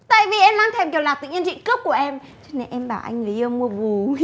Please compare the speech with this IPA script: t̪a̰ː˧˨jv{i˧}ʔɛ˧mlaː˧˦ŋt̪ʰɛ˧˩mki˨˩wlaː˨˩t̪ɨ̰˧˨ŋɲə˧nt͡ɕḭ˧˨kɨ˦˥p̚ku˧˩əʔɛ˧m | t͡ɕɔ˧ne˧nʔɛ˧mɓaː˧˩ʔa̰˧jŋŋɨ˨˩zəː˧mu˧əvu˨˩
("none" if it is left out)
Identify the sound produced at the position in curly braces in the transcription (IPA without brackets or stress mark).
i˨˩